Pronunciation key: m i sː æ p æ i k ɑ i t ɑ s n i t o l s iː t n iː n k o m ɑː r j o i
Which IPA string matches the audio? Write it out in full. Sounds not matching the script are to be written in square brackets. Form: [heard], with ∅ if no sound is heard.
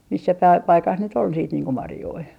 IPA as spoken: m i sː æ p æ i [p] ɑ i [k] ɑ s n [y] t o l s iː t n iː [ŋ] k o m [ɑ] r j o i

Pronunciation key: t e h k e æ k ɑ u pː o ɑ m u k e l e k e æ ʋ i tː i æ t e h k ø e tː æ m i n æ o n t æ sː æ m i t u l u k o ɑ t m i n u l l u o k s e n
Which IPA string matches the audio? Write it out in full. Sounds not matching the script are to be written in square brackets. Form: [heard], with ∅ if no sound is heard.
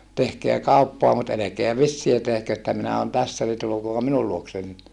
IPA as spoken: t e h k e æ k ɑ u pː o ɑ m u [t] e l e k e æ ʋ i [sː] i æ t e h k ø e tː æ m i n æ o n t æ sː æ [n] i t u l u k o ɑ [p] m i n u l l u o k s e n

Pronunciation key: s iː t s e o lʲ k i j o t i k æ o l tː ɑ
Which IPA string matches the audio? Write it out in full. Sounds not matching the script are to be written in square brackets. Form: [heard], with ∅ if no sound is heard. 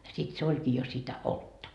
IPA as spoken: s [i] t s e o lʲ k [iː] j o [s] i [t] æ o l tː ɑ

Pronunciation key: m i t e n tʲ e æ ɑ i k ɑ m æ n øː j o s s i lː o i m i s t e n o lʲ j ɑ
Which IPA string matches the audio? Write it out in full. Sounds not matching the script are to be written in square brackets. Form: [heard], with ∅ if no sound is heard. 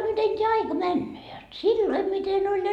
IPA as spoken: m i t e n tʲ e æ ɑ i k ɑ m æ [nː] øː j o [t] s i lː o i m i [∅] t e n o lʲ j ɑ

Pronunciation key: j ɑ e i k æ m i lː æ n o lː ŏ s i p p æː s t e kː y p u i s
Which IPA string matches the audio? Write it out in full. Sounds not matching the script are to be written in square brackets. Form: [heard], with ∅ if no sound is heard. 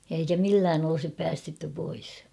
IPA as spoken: j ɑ e i k æ m i lː [æː] n o [l] ŏ s i p p æː s t e [tː] y p [o] i s

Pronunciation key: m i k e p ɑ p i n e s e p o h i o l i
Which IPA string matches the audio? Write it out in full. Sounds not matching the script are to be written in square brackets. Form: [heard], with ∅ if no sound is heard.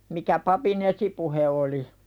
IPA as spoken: m i k [æ] p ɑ p i n e s [i] p [u] h [e] o l i

